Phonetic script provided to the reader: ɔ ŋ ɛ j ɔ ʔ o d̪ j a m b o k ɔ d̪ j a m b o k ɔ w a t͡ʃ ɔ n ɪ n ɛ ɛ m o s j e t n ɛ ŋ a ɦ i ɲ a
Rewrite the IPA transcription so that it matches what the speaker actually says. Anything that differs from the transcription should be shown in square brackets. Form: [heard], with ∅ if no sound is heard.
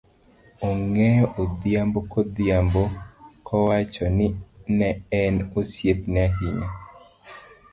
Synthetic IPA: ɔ ŋ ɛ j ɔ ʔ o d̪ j a m b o k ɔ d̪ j a m b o k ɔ w a t͡ʃ ɔ n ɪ n ɛ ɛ [n] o s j e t n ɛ [∅] a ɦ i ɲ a